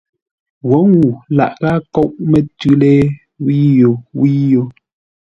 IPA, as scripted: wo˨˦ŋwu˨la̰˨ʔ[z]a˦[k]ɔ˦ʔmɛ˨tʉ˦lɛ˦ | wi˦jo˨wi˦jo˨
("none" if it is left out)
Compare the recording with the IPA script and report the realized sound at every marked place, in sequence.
ɣ, k

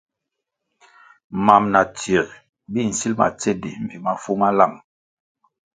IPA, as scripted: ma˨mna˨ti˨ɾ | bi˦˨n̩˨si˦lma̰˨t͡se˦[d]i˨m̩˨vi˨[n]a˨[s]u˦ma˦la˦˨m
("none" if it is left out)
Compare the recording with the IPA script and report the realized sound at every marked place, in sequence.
d, m, f

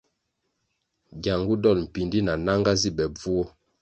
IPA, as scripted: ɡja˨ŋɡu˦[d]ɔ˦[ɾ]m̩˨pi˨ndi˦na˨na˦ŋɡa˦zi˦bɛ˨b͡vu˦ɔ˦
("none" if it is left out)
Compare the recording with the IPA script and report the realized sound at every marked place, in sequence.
d, l

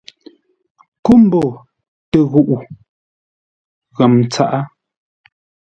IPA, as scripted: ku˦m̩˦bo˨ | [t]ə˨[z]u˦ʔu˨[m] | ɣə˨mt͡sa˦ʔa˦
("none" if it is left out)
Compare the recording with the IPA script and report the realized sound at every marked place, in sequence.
t, ɣ, none

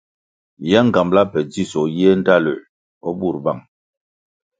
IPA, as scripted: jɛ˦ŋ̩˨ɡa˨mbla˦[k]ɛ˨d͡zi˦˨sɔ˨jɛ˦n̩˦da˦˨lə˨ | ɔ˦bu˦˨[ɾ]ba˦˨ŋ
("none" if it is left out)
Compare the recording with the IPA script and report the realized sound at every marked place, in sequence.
p, ɾ

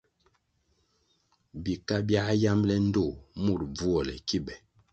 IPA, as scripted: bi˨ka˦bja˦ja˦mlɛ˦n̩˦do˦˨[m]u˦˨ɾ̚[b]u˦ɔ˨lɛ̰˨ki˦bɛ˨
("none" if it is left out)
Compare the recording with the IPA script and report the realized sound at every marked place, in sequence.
m, b͡v

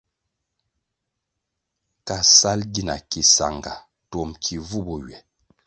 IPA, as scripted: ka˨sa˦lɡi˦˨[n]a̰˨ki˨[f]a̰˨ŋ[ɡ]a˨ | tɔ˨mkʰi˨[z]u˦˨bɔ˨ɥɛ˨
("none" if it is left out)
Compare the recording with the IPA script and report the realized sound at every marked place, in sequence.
n, s, ɡ, v

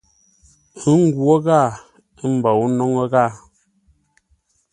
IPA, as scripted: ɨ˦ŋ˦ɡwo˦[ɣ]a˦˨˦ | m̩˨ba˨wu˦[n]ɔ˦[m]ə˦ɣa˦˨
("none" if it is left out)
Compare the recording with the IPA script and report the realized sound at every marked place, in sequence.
ɣ, n, ŋ

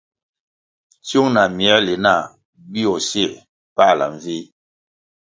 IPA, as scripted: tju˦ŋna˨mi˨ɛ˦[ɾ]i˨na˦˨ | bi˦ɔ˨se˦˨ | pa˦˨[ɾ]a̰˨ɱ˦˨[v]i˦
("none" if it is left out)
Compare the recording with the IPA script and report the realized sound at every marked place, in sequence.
l, l, v

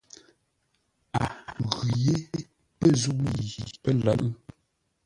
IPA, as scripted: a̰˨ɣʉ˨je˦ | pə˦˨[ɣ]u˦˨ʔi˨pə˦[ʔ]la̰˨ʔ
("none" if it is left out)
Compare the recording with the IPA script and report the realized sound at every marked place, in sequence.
z, none

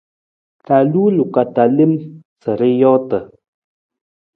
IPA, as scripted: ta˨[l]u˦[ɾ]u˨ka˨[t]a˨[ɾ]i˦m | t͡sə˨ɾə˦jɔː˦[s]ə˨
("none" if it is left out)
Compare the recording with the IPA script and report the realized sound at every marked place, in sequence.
l, l, t, l, t

